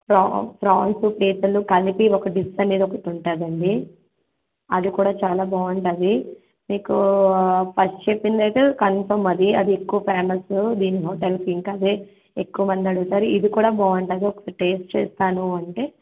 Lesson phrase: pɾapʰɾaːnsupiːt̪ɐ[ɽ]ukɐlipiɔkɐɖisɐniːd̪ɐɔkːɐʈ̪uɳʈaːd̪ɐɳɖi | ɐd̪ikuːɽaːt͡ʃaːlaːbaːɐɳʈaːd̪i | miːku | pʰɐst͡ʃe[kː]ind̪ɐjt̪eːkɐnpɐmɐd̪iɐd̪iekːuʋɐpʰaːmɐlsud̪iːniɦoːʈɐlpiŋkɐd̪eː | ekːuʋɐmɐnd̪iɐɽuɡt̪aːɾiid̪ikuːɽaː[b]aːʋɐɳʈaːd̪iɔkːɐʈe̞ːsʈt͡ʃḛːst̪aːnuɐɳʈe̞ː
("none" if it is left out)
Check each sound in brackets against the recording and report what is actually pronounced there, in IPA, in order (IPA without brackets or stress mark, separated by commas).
l, pː, b